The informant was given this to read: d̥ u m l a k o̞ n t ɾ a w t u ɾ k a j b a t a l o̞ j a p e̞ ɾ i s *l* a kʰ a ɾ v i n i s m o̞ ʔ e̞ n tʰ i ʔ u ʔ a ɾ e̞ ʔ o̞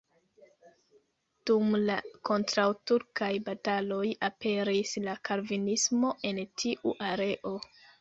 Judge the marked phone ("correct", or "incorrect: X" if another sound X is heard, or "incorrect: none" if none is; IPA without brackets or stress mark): correct